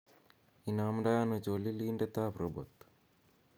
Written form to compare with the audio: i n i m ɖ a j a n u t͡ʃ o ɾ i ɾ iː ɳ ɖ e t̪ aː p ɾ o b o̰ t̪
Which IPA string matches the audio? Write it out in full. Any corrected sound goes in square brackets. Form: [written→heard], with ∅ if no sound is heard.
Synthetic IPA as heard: i n [i→a] m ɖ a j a n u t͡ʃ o [ɾ→l] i [ɾ→l] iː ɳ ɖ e t̪ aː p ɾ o b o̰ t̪